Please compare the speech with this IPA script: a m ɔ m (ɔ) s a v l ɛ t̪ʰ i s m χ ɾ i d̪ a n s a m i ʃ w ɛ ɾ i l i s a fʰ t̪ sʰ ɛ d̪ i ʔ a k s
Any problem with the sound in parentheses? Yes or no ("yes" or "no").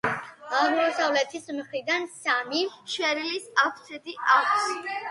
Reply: no